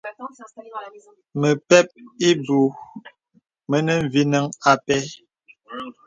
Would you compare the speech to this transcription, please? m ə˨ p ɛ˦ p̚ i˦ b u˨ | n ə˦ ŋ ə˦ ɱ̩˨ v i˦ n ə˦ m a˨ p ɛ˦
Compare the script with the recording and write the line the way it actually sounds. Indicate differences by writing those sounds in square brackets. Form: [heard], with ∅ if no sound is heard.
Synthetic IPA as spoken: m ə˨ p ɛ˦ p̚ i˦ b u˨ | [m] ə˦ [n] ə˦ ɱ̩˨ v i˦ n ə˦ [ŋ] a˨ p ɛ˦